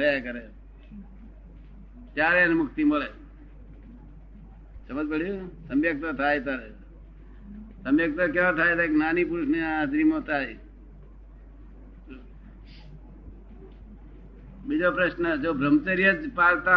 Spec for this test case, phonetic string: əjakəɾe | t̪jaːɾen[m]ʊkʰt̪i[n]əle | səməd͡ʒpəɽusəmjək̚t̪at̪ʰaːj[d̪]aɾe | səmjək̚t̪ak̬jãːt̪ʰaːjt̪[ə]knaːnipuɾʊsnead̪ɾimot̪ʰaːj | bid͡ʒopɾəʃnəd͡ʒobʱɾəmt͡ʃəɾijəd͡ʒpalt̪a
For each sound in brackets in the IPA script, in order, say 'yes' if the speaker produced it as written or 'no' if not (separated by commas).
yes, no, no, no